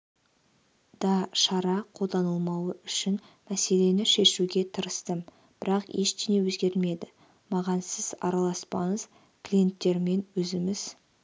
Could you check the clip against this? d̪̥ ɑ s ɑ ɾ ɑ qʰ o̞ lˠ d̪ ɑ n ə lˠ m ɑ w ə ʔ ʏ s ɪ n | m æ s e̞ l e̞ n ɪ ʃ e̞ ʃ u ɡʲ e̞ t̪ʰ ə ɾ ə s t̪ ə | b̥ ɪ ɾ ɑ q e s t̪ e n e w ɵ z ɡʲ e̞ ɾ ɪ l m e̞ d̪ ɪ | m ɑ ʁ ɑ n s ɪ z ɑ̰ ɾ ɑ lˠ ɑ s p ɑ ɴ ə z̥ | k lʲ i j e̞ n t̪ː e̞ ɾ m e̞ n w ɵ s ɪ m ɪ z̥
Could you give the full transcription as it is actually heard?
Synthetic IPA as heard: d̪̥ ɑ ʃ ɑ ɾ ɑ qʰ o̞ lˠ d̪ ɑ n ə lˠ m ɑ w ə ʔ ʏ ʃ ɪ n | m æ s e̞ l e̞ n ɪ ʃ e̞ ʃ u ɡʲ e̞ t̪ʰ ə ɾ ə s t̪ ə | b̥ ɪ ɾ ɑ q e ʃ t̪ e n e w ɵ z ɡʲ e̞ ɾ ɪ l m e̞ d̪ ɪ | m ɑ ʁ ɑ n s ɪ z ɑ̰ ɾ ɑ lˠ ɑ s p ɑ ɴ ə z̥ | k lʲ i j e̞ n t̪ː e̞ ɾ m e̞ n w ɵ z ɪ m ɪ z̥

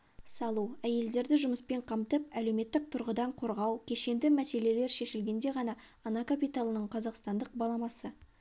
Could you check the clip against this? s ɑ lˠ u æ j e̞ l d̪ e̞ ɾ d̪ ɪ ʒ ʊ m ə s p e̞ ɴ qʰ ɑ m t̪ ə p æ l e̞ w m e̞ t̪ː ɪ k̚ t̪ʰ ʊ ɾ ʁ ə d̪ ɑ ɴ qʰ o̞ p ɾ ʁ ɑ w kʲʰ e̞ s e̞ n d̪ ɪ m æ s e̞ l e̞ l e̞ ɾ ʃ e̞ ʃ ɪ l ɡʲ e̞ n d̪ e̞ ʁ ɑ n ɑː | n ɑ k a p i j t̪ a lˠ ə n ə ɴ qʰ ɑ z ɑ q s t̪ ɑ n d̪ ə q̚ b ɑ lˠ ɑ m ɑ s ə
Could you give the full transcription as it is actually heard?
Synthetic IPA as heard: s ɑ lˠ u æ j e̞ l d̪ e̞ ɾ d̪ ɪ ʒ ʊ m ə s p e̞ ɴ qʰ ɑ m t̪ ə p æ l e̞ w m e̞ t̪ː ɪ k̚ t̪ʰ ʊ ɾ ʁ ə d̪ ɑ ɴ qʰ o̞ ɾ ʁ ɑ w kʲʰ e̞ ʃ e̞ n d̪ ɪ m æ s e̞ l e̞ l e̞ ɾ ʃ e̞ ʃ ɪ l ɡʲ e̞ n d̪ e̞ ʁ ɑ n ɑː | n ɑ k a p i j t̪ a lˠ ə n ə ɴ qʰ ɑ z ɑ q s t̪ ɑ n d̪ ə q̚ b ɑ lˠ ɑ m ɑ s ə

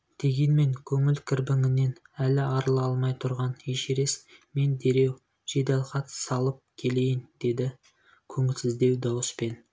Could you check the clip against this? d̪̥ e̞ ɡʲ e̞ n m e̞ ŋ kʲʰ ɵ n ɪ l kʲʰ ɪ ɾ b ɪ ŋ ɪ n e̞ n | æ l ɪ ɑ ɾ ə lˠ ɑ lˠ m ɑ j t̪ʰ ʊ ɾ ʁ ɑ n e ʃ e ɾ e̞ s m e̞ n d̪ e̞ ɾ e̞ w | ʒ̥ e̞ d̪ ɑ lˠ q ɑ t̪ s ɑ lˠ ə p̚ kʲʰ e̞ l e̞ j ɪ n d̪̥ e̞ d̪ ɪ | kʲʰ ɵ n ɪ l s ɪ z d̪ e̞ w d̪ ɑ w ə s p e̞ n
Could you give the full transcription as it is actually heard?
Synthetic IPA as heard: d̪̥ e̞ ɡʲ e̞ n m e̞ ŋ kʲʰ ɵ ŋ ɪ l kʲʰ ɪ ɾ b ɪ ŋ ɪ n e̞ n | æ l ɪ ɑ ɾ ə lˠ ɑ lˠ m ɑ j t̪ʰ ʊ ɾ ʁ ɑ n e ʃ e ɾ e̞ s m e̞ n d̪ e̞ ɾ e̞ w | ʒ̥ e̞ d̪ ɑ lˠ q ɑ t̪ s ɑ lˠ ə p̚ kʲʰ e̞ l e̞ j ɪ n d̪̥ e̞ d̪ ɪ | kʲʰ ɵ ŋ ɪ l s ɪ z d̪ e̞ w d̪ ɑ w ə s p e̞ n

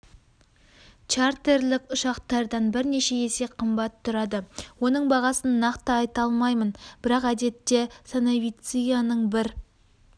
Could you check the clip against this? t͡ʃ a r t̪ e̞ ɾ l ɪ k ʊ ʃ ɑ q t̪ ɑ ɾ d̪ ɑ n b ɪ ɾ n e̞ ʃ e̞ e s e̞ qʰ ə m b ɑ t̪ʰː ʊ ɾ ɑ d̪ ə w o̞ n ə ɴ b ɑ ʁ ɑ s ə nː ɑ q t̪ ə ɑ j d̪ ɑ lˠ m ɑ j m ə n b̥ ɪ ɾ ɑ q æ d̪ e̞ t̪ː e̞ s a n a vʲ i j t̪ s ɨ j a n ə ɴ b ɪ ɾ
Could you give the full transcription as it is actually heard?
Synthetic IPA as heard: t͡ʃ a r t̪ e̞ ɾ l ɪ k ʊ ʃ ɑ q t̪ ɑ ɾ d̪ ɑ n b ɪ ɾ n e̞ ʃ e̞ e s e̞ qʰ ə m b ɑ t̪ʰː ʊ ɾ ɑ d̪ ə w o̞ n ə ɴ b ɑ ʁ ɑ s ə nː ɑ q t̪ ə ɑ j t̪ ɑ lˠ m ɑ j m ə n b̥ ɪ ɾ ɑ q æ d̪ e̞ t̪ː e̞ s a n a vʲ i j t̪ s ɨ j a n ə ɴ b ɪ ɾ

